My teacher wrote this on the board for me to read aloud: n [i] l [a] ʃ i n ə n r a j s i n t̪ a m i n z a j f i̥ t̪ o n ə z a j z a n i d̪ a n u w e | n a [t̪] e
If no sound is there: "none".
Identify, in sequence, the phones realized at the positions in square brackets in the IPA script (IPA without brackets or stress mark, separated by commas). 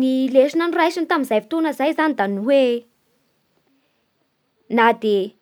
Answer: i, e, d̪